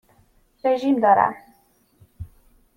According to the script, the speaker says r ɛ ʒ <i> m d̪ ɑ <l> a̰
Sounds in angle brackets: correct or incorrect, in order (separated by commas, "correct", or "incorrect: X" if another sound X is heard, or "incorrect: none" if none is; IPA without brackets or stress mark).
correct, incorrect: ɾ